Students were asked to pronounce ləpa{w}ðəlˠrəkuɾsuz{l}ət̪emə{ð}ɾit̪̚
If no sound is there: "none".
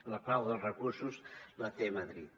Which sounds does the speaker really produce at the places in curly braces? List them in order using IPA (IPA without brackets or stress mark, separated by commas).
w, l, ð